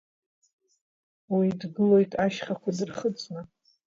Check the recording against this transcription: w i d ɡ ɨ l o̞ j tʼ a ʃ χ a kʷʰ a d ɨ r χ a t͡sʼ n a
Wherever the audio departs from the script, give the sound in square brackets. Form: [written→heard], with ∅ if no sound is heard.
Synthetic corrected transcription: w i d ɡ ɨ l o̞ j tʼ a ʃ χ a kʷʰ a d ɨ r χ [a→ə] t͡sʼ n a